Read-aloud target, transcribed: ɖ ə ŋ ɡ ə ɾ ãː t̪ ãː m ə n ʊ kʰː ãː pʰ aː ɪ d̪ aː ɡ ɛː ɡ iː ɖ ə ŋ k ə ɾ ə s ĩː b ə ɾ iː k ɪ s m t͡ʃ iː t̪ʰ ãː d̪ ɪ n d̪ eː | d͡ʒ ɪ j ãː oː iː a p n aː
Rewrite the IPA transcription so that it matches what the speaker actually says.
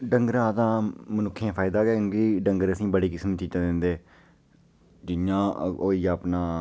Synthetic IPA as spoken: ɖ ə ŋ ɡ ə ɾ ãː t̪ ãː m ə n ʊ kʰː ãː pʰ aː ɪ d̪ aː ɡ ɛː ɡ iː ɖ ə ŋ ɡ ə ɾ ə s ĩː b ə ɽ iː k ɪ s m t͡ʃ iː t̪ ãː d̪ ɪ n d̪ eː | d͡ʒ ɪ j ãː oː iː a p n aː